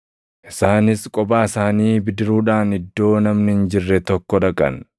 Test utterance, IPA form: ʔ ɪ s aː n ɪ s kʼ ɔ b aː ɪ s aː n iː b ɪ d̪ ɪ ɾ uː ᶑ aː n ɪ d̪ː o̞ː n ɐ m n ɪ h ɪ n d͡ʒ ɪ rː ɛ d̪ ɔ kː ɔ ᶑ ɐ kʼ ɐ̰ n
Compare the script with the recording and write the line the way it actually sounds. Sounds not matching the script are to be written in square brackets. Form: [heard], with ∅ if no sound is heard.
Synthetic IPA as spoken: ʔ ɪ s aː n ɪ s kʼ ɔ b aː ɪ s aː n iː b ɪ d̪ ɪ ɾ uː ᶑ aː n ɪ d̪ː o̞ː n ɐ m n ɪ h ɪ n d͡ʒ ɪ rː ɛ [t̪] ɔ kː ɔ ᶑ ɐ kʼ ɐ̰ n